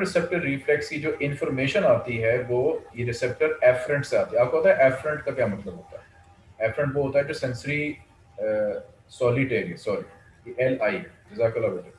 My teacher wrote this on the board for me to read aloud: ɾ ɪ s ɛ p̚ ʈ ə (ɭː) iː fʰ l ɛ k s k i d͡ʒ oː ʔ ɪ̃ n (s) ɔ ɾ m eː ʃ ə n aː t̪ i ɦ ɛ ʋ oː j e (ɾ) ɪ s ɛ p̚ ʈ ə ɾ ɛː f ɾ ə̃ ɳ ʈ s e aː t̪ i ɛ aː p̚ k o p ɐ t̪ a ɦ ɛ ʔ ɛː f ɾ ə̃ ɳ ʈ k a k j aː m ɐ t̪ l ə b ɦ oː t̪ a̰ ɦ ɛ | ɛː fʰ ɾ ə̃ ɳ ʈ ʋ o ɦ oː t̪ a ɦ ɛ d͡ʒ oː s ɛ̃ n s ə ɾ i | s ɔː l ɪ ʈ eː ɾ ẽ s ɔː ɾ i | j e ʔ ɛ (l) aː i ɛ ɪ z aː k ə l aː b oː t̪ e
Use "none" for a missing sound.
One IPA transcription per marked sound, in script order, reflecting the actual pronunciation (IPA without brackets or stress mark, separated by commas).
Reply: ɾː, f, ɾ, l